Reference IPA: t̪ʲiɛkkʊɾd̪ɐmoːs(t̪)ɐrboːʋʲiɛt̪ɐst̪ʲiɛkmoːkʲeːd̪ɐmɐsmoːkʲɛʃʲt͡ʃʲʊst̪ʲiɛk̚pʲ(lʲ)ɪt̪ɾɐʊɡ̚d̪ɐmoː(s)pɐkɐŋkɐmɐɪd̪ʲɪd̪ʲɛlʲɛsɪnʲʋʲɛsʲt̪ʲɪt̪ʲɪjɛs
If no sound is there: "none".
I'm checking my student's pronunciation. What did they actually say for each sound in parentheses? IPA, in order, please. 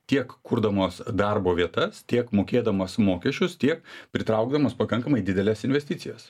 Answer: d̪, ɾʲ, s

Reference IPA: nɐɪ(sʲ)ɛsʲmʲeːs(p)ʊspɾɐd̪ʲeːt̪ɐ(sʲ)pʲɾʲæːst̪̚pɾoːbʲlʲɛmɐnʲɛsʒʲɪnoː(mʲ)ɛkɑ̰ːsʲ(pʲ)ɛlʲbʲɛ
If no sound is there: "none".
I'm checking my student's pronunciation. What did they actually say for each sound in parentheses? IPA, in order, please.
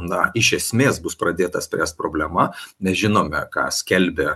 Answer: ʃʲ, b, sʲ, mʲ, kʲ

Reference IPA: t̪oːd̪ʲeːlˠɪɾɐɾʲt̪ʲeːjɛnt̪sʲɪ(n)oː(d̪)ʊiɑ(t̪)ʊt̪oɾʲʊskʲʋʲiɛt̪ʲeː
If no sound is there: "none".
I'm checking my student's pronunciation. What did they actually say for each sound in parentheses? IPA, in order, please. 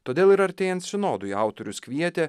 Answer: n, d̪, none

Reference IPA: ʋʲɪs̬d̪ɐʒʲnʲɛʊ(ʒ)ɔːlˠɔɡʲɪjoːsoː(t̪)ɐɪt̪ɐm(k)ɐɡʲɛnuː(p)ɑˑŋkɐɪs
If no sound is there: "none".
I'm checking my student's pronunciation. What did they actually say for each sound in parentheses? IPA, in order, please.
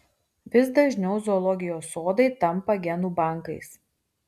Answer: z, d̪, p, b

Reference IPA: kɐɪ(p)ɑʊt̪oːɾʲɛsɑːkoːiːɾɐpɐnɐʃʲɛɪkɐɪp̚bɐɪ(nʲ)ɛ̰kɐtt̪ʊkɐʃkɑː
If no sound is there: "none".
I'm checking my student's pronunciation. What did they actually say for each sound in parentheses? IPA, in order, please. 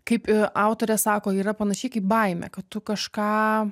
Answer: p, mʲ

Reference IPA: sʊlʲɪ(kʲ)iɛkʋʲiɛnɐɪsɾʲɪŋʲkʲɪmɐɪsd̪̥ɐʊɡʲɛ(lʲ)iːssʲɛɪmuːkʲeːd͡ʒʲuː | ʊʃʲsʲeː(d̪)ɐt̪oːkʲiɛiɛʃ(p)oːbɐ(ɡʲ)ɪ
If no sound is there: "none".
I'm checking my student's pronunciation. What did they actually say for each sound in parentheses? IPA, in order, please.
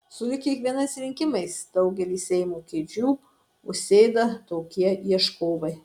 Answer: kʲ, lʲ, d̪, k, none

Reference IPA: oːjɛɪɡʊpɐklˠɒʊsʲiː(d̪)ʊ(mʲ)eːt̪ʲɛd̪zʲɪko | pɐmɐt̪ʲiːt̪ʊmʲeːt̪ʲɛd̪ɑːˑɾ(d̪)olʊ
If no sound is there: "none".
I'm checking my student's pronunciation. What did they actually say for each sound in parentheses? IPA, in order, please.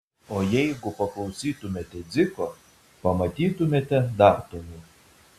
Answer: t̪, mʲ, t̪

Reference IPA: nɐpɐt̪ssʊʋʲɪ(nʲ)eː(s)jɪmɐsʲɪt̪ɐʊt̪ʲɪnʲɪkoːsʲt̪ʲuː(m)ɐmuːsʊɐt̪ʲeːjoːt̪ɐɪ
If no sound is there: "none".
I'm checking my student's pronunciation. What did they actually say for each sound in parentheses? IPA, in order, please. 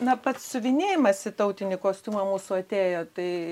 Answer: nʲ, none, m

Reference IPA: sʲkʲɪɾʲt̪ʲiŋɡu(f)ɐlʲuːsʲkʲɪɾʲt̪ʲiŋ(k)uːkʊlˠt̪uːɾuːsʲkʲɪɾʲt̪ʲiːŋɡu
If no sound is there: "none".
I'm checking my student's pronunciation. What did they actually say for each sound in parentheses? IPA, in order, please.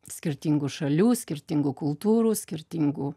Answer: ʃ, ɡ

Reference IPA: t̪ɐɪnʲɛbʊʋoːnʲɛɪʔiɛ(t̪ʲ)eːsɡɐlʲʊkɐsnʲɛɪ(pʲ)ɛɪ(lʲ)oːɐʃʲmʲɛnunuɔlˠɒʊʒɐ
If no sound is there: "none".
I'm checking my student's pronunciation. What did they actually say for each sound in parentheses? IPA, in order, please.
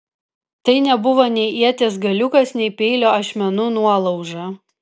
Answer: t̪ʲ, pʲ, lʲ

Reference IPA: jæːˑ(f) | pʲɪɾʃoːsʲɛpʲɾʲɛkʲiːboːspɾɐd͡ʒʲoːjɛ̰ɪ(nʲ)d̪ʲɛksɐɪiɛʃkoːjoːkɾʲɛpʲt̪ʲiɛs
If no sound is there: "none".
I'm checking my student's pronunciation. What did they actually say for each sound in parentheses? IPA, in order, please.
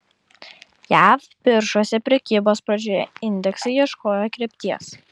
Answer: f, nʲ

